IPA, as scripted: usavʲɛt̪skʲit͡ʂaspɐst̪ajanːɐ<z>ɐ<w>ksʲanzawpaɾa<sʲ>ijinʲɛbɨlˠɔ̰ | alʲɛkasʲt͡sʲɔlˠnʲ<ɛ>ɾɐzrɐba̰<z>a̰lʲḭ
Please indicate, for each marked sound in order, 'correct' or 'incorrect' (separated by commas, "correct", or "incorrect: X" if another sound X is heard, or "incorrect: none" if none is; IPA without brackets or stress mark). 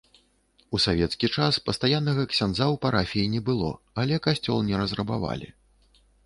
incorrect: ɣ, incorrect: none, incorrect: fʲ, correct, incorrect: v